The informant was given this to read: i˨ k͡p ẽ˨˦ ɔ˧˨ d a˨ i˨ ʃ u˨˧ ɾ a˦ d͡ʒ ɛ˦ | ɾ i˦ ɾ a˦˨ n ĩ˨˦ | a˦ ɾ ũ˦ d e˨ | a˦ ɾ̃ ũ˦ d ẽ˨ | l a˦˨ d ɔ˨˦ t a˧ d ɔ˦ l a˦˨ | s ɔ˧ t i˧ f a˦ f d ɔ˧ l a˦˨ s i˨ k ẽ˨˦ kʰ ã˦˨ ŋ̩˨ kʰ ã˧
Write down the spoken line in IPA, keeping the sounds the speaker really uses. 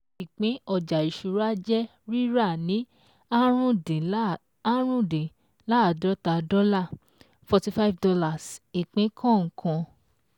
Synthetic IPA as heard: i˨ k͡p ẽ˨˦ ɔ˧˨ d͡ʒ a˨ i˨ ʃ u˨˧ ɾ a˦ d͡ʒ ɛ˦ | ɾ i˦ ɾ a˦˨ n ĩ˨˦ | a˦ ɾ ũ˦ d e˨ | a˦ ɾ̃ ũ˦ d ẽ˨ | l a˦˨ d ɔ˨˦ t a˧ d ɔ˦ l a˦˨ | f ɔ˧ t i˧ f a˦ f d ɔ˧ l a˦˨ s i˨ k͡p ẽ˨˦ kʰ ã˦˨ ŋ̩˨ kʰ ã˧